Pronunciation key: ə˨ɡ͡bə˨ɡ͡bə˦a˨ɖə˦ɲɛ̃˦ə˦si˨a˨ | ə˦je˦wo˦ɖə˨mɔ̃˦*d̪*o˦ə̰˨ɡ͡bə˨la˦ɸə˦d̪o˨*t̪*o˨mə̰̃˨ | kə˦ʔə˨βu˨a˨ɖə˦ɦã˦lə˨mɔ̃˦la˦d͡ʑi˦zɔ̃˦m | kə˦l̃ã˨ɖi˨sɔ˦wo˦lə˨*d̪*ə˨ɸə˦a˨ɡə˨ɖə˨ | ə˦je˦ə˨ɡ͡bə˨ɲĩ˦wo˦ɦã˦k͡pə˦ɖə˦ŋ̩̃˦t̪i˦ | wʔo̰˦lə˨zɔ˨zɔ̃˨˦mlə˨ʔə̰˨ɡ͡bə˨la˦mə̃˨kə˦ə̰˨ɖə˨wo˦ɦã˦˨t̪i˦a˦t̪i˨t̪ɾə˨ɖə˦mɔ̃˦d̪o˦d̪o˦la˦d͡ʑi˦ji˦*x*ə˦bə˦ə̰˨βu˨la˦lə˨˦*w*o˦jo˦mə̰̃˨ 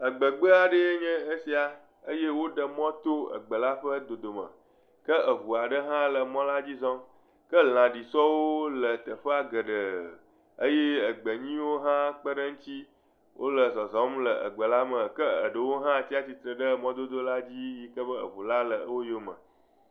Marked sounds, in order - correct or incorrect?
incorrect, incorrect, incorrect, incorrect, correct

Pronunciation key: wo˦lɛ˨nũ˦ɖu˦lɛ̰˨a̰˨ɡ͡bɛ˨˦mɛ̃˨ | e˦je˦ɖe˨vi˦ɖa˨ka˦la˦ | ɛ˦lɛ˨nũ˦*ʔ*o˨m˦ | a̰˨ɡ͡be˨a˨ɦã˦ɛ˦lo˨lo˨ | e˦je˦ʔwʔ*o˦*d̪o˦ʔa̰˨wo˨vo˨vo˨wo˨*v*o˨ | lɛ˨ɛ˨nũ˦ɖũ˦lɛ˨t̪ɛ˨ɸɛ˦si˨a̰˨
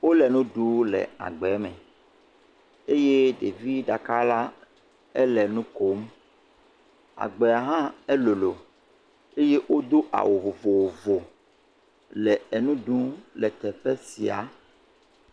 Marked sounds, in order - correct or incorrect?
incorrect, correct, correct

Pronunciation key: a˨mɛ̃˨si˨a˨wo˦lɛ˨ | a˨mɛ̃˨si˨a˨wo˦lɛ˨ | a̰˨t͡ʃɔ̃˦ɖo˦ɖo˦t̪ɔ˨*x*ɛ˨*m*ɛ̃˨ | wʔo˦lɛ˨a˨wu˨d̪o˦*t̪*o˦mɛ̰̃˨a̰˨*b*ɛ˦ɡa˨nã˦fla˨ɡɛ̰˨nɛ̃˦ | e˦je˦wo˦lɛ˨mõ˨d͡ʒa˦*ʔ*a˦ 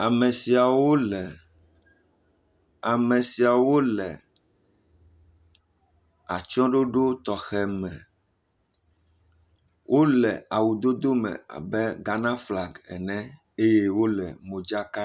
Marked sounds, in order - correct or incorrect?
correct, correct, incorrect, correct, incorrect

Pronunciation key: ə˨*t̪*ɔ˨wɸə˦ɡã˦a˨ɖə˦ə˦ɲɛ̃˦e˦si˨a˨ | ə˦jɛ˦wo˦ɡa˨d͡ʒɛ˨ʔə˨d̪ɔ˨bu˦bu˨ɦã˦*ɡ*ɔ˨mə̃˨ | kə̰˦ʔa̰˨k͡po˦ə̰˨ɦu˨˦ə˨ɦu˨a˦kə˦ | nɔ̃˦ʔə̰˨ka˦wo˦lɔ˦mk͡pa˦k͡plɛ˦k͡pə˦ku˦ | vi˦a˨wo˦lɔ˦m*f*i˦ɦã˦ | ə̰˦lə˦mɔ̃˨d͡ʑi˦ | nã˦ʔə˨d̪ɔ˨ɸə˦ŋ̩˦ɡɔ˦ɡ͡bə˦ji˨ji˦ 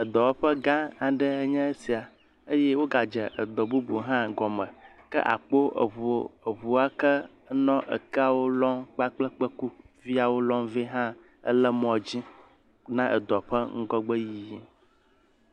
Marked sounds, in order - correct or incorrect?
incorrect, correct, incorrect

